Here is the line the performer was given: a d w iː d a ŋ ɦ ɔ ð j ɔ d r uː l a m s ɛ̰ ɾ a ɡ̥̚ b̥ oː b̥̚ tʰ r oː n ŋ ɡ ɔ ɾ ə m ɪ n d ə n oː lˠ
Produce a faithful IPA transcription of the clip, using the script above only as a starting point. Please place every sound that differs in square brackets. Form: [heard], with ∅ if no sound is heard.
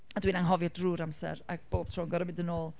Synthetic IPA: a d w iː [n] a ŋ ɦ ɔ [v] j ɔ d r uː [ɾ] a m s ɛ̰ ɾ a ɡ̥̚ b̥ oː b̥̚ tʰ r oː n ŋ ɡ ɔ ɾ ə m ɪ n d ə n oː lˠ